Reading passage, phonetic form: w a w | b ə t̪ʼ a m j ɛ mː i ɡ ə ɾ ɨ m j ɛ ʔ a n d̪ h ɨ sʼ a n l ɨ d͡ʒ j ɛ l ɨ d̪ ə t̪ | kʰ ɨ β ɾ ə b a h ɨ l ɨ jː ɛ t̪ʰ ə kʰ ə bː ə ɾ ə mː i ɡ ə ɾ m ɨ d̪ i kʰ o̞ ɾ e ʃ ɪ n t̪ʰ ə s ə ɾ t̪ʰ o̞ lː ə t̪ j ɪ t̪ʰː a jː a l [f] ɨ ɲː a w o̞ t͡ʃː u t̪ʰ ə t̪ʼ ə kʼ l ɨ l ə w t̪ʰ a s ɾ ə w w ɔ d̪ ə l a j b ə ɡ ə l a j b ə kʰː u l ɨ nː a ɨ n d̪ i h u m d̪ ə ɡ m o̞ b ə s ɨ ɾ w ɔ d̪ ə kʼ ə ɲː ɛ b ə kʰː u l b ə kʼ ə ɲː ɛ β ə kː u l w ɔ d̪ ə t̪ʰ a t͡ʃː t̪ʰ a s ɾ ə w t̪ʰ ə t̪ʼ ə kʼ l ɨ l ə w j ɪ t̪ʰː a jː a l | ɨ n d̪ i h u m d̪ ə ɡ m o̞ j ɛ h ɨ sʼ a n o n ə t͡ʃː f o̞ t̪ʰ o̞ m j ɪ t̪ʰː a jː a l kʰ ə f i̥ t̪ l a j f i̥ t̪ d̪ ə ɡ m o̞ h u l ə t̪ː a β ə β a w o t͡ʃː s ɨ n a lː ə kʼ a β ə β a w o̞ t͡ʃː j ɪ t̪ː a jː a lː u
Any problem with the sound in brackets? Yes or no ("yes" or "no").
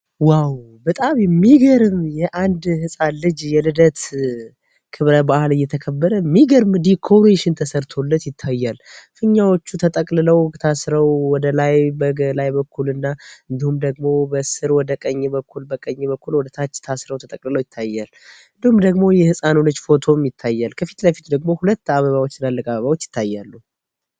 no